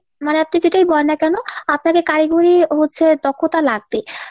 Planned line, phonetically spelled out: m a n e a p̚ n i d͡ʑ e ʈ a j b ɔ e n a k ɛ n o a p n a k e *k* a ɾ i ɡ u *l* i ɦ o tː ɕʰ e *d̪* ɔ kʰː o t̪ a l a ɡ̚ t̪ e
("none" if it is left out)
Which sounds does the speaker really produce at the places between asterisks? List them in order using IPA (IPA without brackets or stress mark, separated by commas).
k, ɾ, d̪